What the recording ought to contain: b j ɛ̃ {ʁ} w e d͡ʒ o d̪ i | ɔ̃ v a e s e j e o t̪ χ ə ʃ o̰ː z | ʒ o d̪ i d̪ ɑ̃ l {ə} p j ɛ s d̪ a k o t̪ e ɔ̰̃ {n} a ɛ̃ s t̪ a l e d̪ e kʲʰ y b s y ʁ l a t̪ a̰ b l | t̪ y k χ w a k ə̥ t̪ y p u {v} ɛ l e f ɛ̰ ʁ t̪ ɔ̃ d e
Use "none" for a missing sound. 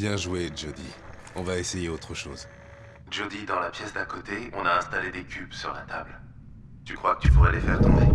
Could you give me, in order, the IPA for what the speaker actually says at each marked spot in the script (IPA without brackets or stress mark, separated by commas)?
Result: ʒ, a, n, ʁ